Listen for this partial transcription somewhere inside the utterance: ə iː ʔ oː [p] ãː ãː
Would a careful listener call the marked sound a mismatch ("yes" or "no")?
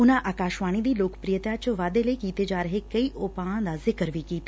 no